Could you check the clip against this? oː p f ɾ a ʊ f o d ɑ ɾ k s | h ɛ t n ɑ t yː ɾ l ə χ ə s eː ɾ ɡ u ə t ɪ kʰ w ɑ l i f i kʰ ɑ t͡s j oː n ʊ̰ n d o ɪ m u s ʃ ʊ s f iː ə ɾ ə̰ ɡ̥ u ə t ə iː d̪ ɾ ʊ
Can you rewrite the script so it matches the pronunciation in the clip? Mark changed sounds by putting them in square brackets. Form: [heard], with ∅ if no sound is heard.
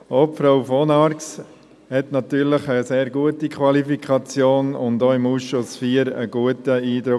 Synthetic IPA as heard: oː p f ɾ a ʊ f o [n] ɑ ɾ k s | h ɛ t n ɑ t yː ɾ l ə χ ə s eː ɾ ɡ u ə t [i] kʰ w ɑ l i f i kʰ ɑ t͡s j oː n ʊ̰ n d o ɪ m u s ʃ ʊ s f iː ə ɾ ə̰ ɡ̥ u ə t ə iː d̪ ɾ ʊ

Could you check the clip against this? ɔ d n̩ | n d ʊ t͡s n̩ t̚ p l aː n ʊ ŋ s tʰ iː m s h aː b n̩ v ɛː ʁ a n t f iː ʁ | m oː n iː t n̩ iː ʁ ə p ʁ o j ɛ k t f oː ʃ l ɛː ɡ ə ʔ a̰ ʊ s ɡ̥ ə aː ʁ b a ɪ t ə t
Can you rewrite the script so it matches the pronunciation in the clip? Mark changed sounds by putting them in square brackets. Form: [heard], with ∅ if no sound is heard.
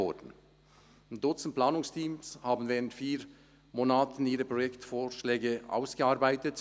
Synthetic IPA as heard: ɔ d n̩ | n d ʊ t͡s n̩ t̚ p l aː n ʊ ŋ s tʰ iː m s h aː b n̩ v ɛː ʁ [ə] n t f iː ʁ | m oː n [aː] t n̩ iː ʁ ə p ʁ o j ɛ k t f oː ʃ l ɛː ɡ ə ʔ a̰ ʊ s ɡ̥ ə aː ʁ b a ɪ t ə t

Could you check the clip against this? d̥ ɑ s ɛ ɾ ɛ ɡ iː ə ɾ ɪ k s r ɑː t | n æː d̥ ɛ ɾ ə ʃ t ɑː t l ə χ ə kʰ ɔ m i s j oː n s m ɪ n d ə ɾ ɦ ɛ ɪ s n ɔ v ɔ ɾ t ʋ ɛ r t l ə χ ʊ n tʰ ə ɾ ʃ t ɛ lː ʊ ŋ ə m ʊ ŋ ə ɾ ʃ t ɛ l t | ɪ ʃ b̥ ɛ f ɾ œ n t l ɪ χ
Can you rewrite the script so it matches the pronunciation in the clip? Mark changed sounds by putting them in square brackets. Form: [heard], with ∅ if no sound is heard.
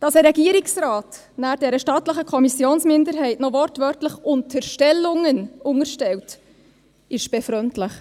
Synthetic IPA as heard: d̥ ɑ s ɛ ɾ ɛ ɡ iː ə ɾ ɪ k s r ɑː t | n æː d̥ ɛ ɾ ə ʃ t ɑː t l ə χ ə kʰ ɔ m i s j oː n s m ɪ n d ə ɾ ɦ ɛ ɪ [t] n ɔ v ɔ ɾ t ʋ [œ] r t l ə χ ʊ n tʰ ə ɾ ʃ t ɛ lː ʊ ŋ ə [n] ʊ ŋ ə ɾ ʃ t ɛ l t | ɪ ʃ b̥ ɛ f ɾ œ n t l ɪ χ

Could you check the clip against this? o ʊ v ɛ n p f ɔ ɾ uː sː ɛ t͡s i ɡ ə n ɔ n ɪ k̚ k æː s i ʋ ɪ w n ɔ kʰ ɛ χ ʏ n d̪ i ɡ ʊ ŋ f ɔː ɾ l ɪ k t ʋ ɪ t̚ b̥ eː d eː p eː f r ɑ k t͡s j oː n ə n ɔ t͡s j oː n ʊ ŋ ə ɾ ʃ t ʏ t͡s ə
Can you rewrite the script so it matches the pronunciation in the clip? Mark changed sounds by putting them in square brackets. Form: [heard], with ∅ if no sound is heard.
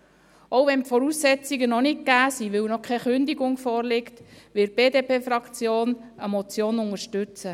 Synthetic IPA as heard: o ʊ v ɛ n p f ɔ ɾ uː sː ɛ t͡s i ɡ ə n ɔ n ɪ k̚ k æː s i ʋ ɪ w n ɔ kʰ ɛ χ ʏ n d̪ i ɡ ʊ ŋ f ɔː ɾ l ɪ k t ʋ ɪ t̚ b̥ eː d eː p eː f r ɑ k t͡s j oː n ə [m] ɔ t͡s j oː n ʊ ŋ ə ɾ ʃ t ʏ t͡s ə

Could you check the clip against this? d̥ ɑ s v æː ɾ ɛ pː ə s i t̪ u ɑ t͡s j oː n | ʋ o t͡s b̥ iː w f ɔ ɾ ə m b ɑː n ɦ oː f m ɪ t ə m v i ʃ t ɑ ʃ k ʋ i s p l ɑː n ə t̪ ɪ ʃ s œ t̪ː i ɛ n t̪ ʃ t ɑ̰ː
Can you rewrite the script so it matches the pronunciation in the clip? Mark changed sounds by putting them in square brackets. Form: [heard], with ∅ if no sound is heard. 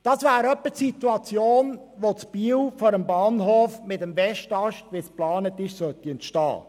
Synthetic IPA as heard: d̥ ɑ s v æː ɾ [œ] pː ə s i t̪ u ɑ t͡s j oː n | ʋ o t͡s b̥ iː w f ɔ ɾ ə m b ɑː n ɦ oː f m ɪ t ə m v [ɛ] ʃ t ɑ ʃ [t] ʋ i s p l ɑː n ə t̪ ɪ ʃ s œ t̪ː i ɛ n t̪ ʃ t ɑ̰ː

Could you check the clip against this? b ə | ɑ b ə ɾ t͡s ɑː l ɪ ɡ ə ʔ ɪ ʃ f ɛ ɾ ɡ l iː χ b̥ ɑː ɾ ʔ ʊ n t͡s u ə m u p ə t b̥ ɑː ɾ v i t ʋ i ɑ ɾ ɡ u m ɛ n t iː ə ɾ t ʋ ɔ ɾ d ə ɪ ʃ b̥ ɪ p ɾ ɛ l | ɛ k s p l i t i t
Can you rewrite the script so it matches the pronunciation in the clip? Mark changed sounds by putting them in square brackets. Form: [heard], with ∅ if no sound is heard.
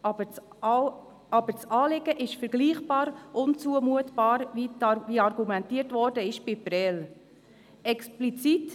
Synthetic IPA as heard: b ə | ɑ b ə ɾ t͡s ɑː l ɪ ɡ ə ʔ ɪ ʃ f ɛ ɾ ɡ l iː χ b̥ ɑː ɾ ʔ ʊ n t͡s u ə m u [∅] ə t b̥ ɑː ɾ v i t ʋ i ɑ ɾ ɡ u m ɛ n t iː ə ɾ t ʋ ɔ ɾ d ə ɪ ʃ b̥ ɪ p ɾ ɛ l | ɛ k s p l i [t͡s] i t

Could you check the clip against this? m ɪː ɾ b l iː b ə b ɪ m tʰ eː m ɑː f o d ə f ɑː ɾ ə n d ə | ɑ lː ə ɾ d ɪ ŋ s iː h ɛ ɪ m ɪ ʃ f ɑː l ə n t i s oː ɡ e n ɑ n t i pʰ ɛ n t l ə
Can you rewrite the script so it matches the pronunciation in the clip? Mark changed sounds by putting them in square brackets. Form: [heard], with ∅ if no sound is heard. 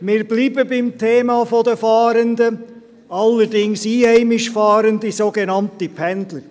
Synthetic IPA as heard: m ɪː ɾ b l iː b ə b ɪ m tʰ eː m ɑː f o d ə f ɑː ɾ ə n d ə | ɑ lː ə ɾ d ɪ ŋ s iː h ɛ ɪ m ɪ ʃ f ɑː [ɾ] ə n [d] i s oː ɡ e n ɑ n t i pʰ ɛ n [d] l ə

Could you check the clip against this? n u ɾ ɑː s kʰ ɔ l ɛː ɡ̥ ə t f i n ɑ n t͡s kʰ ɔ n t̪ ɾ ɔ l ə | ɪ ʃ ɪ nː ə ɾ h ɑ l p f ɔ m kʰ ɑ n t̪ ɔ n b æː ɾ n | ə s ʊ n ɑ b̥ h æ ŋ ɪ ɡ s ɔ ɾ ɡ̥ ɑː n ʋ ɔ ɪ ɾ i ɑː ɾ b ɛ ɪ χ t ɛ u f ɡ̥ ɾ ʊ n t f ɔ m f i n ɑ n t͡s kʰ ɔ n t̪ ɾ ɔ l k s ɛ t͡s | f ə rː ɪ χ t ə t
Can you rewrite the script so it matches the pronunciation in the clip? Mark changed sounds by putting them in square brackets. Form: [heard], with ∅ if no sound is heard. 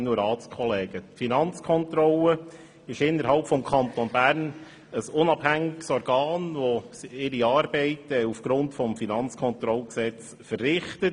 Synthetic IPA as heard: n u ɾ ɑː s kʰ ɔ l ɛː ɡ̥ ə t f i n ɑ n t͡s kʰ ɔ n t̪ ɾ ɔ l ə | ɪ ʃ ɪ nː ə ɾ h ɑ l p f ɔ m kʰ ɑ n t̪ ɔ n b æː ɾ n | ə s ʊ n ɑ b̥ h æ ŋ ɪ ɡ s ɔ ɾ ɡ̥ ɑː n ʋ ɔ ɪ ɾ i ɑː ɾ b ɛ ɪ [∅] t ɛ u f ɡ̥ ɾ ʊ n t f ɔ m f i n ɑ n t͡s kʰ ɔ n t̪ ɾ ɔ l k s ɛ t͡s | f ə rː ɪ χ t ə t

